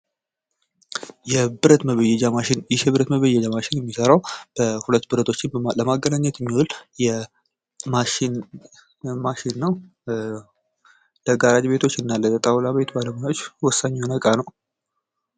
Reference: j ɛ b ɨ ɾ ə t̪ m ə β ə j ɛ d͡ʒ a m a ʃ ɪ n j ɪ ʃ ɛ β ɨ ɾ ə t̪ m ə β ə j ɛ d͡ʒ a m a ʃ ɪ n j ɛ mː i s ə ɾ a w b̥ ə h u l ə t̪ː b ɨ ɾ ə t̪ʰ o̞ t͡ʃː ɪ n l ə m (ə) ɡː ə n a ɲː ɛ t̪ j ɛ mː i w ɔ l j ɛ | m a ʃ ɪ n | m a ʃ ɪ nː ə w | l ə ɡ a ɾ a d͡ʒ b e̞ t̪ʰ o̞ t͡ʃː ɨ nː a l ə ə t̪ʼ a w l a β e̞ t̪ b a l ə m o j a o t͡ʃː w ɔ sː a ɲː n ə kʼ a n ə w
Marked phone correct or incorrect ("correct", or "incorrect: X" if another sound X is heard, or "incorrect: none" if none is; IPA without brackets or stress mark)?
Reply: incorrect: a